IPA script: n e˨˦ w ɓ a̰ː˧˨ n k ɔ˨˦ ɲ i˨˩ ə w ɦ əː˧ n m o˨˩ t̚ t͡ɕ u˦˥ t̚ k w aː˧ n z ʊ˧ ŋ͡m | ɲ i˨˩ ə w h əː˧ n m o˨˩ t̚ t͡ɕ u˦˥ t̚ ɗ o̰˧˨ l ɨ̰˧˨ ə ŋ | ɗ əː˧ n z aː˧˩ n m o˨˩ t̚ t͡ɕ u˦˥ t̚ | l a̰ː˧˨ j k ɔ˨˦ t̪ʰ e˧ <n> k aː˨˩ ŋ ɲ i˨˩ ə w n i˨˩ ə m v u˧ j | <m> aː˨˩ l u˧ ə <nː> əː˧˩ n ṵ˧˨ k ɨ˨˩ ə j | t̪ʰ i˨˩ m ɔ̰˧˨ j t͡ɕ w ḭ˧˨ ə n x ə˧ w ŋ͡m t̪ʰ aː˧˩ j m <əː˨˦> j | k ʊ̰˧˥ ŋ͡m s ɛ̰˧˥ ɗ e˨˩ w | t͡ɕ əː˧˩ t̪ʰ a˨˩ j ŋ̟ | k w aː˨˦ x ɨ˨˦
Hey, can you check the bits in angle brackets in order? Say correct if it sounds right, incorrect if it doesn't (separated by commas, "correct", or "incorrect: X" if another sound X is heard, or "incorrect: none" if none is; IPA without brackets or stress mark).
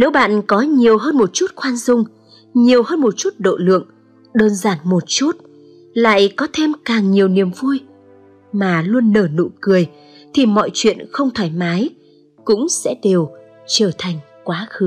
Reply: incorrect: m, correct, correct, incorrect: aː˨˦